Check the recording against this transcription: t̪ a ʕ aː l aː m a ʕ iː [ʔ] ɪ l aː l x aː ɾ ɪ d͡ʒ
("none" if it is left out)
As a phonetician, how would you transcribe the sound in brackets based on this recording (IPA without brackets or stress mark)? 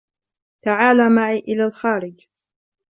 ʔ